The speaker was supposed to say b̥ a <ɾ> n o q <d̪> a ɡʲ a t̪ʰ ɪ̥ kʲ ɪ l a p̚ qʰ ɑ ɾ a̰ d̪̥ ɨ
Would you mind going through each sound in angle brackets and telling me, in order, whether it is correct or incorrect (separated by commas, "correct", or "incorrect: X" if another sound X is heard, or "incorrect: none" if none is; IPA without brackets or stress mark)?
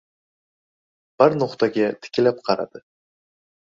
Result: correct, incorrect: t̪